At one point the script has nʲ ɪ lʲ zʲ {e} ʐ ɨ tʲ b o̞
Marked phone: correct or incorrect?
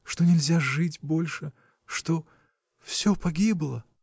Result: incorrect